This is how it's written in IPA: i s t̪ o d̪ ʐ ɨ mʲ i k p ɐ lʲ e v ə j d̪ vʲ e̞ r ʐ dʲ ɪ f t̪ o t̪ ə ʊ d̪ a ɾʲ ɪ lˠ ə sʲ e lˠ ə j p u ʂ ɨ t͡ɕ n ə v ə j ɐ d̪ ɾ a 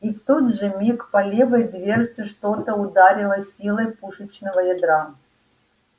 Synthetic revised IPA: i f t̪ o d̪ ʐ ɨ mʲ i k p ɐ lʲ e v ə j d̪ vʲ e̞ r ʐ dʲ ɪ ʂ t̪ o t̪ ə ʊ d̪ a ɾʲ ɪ lˠ ə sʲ i lˠ ə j p u ʂ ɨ t͡ɕ n ə v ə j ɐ d̪ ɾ a